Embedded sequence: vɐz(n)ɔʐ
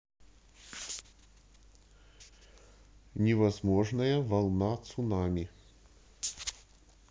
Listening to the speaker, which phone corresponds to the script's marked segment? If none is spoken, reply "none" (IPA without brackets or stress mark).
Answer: m